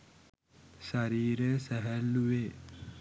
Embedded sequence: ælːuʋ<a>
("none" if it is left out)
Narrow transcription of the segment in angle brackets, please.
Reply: e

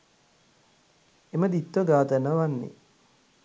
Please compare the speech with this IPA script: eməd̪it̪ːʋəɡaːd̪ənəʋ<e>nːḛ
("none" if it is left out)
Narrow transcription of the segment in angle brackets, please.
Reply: a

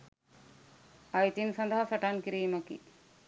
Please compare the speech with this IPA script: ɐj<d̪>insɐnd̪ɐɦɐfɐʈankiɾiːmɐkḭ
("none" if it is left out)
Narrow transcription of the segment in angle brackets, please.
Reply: t̪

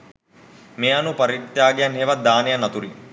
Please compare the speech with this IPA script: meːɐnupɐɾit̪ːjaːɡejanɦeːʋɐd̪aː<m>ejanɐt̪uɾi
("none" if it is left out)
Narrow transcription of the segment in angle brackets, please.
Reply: n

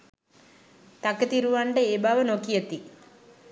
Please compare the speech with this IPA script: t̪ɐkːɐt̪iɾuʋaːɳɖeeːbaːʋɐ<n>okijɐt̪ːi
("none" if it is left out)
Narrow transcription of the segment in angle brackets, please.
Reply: n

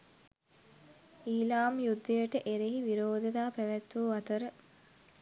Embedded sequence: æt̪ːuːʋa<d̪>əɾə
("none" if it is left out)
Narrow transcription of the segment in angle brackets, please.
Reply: t̪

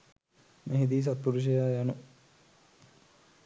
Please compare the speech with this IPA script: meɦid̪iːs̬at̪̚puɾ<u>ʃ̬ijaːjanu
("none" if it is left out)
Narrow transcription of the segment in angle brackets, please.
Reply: u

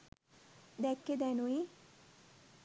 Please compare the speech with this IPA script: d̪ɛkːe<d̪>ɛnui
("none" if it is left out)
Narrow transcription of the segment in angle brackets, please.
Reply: d̪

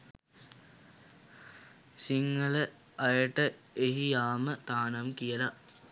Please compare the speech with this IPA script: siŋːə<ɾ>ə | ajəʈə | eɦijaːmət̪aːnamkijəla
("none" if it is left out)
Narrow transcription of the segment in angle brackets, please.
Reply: l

